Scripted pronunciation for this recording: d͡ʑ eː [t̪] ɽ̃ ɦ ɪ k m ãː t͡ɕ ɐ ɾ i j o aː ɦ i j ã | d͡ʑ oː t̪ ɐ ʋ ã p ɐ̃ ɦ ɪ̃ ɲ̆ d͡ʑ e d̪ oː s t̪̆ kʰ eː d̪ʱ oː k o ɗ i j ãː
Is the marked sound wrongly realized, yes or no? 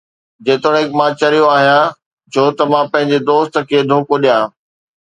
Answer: no